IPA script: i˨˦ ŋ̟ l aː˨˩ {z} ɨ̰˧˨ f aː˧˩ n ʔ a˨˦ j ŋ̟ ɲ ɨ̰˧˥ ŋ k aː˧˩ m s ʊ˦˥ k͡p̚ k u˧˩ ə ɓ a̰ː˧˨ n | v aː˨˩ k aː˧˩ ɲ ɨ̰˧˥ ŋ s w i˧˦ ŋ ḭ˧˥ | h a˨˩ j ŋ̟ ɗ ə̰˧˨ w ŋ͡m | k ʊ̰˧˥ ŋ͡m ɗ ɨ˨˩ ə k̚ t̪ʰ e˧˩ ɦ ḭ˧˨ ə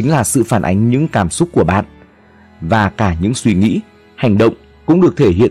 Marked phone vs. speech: incorrect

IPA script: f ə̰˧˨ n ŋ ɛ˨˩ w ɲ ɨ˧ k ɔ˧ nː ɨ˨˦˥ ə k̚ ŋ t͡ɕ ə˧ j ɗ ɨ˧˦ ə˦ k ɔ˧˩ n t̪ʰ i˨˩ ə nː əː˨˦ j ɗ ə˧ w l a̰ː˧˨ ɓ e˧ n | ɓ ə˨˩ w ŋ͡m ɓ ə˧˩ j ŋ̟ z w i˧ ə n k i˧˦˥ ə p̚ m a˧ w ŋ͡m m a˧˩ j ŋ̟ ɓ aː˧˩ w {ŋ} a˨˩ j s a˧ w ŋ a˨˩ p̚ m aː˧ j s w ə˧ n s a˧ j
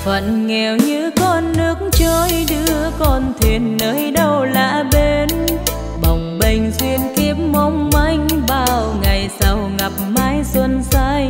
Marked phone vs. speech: correct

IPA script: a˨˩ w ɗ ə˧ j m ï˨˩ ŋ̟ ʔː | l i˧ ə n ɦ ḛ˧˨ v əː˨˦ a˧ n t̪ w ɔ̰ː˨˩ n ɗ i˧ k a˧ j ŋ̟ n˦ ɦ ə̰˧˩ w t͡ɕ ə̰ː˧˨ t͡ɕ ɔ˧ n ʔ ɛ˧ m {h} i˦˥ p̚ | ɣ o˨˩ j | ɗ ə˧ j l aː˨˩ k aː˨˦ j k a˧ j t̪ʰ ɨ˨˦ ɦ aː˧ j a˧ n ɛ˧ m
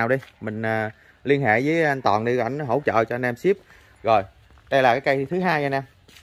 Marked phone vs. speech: incorrect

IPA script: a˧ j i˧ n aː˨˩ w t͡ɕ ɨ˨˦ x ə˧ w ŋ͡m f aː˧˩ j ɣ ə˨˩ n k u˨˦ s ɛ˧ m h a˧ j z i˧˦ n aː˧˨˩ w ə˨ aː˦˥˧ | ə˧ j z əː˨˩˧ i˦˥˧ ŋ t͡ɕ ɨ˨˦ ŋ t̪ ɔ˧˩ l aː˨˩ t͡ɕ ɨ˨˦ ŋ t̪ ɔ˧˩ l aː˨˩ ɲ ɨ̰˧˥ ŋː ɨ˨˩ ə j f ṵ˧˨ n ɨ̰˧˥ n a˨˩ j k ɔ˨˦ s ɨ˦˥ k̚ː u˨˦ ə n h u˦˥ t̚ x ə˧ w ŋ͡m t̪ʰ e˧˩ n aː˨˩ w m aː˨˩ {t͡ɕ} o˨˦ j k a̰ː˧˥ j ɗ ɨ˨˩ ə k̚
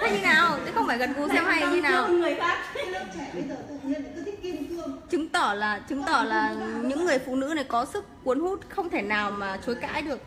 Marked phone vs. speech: correct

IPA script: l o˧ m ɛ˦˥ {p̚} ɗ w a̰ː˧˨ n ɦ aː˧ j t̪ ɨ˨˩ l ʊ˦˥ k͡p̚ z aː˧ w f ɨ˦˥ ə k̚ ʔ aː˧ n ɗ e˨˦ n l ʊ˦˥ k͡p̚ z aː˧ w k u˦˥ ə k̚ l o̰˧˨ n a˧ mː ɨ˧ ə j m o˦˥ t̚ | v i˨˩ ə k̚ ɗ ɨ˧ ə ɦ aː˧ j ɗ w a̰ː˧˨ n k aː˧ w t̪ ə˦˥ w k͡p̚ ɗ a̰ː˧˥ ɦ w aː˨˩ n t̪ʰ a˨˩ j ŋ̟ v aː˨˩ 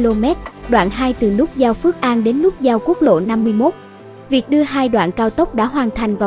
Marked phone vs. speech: incorrect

